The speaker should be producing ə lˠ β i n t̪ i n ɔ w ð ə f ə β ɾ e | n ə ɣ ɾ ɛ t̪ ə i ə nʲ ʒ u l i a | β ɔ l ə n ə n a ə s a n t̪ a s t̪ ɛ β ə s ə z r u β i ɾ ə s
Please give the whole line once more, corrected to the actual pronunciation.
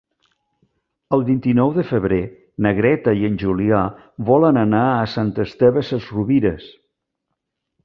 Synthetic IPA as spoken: ə lˠ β i n t̪ i n ɔ w ð ə f ə β ɾ e | n ə ɣ ɾ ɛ t̪ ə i ə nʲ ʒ u l i a | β ɔ l ə n ə n a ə s a n t̪ ə s t̪ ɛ β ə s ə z r u β i ɾ ə s

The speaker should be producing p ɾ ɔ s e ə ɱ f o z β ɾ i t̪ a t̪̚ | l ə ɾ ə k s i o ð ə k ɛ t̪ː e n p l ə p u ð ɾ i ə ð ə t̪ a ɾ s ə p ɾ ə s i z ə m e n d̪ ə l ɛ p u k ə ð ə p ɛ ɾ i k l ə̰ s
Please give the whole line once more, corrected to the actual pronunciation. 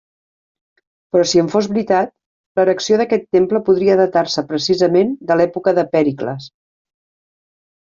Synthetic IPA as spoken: p ɾ ɔ s i ə ɱ f o z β ɾ i t̪ a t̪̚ | l ə ɾ ə k s i o ð ə k ɛ t̪ː e m p l ə p u ð ɾ i ə ð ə t̪ a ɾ s ə p ɾ ə s i z ə m e n d̪ ə l ɛ p u k ə ð ə p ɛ ɾ i k l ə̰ s

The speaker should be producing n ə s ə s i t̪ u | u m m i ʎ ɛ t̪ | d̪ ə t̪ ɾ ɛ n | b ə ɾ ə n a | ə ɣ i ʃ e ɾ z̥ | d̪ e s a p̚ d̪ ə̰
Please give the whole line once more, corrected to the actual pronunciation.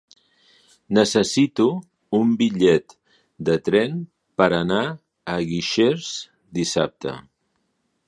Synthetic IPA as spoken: n ə s ə s i t̪ u | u m b i ʎ ɛ t̪ | d̪ ə t̪ ɾ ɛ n | p ə ɾ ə n a | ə ɣ i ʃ e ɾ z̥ | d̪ i s a p̚ t̪ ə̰

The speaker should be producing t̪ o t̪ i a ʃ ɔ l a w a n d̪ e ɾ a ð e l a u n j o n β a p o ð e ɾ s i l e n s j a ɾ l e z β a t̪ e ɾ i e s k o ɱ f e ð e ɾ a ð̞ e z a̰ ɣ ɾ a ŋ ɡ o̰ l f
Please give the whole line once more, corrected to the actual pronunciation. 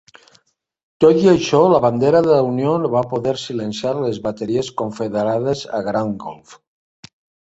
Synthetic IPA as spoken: t̪ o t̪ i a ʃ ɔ l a β a n d̪ e ɾ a ð e l a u n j o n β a p o ð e ɾ s i l e n s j a ɾ l e z β a t̪ e ɾ i e s k o ɱ f e ð e ɾ a ð̞ e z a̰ ɣ ɾ a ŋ ɡ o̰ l f

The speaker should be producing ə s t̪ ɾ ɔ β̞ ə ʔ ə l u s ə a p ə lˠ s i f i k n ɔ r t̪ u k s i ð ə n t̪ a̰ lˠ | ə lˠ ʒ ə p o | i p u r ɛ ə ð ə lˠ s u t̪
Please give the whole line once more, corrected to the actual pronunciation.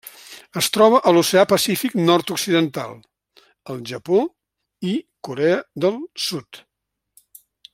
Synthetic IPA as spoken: ə s t̪ ɾ ɔ β̞ ə ʔ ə l u s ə a p ə s i f i k n ɔ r t̪ u k s i ð ə n t̪ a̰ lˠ | ə lˠ ʒ ə p o | i k u ɾ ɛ ə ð ə lˠ s u t̪

